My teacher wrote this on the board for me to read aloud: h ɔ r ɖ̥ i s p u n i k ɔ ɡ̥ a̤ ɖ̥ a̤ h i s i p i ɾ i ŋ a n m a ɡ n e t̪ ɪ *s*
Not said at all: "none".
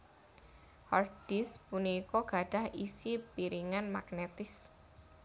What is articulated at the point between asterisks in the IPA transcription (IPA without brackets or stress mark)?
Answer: s